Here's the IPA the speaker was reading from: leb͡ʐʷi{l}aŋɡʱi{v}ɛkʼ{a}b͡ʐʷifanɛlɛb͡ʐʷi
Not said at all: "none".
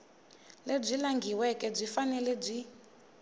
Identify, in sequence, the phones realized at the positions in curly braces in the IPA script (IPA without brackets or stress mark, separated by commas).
l, w, ɛ